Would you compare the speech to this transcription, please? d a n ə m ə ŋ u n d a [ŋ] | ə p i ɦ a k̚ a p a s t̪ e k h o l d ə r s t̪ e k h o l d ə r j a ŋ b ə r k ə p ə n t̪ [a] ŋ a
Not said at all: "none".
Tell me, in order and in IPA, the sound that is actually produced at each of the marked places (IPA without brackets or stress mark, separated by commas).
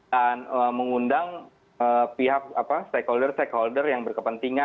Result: ŋ, i